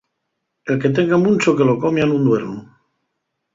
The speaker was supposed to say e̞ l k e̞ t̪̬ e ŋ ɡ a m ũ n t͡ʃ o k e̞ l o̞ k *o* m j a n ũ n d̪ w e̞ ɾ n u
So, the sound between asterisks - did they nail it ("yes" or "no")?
yes